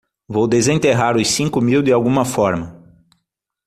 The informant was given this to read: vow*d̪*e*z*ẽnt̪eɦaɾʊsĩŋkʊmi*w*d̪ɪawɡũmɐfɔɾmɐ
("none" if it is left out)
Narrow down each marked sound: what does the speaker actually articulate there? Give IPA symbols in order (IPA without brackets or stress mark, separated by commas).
d̪, z, w